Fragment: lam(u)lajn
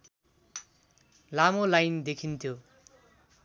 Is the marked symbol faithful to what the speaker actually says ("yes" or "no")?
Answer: no